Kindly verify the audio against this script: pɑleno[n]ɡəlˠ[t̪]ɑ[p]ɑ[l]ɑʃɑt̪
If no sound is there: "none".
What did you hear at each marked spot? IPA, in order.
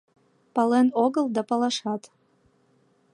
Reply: none, d̪, p, l

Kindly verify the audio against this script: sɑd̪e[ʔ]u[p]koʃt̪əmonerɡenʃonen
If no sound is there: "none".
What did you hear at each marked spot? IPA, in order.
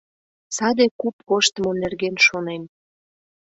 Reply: k, p

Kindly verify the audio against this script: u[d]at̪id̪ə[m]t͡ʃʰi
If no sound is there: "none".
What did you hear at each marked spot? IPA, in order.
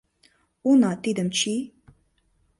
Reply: n, m

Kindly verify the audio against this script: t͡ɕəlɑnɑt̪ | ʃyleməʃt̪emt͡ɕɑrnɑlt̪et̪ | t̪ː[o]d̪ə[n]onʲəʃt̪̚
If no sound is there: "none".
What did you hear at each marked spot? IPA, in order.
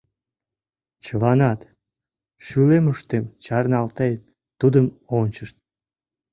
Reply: u, m

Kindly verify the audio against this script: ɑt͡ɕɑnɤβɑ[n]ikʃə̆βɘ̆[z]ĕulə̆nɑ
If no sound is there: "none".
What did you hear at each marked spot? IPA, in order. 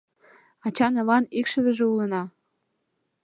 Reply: n, ʒ

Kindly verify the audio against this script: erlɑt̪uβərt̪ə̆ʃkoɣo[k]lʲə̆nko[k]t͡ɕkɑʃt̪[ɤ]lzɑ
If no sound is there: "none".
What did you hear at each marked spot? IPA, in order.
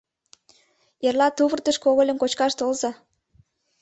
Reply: none, none, o

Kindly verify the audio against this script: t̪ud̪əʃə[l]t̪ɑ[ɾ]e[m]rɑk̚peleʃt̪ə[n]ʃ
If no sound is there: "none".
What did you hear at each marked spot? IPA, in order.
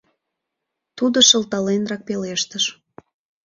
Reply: l, l, n, none

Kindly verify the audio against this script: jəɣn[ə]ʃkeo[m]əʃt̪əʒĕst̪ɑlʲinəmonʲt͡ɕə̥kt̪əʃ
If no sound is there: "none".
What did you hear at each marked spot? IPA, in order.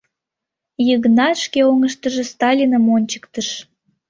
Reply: ɑ, ŋ

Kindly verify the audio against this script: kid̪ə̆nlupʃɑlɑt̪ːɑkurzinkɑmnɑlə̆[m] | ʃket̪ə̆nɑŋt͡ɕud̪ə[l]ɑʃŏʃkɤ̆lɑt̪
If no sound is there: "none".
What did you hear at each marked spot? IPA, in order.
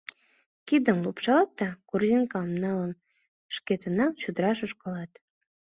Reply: n, ɾ

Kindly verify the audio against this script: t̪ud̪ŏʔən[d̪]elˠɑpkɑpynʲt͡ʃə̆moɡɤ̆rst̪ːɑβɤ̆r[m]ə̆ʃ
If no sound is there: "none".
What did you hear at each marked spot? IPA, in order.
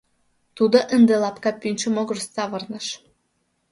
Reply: d̪, n

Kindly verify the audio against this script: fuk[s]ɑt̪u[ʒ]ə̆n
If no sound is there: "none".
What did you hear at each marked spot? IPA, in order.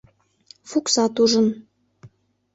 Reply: s, ʒ

